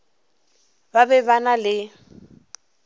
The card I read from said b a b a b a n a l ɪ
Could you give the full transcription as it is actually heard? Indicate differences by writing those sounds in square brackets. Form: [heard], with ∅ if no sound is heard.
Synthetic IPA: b a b [ɛ] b a n a l ɪ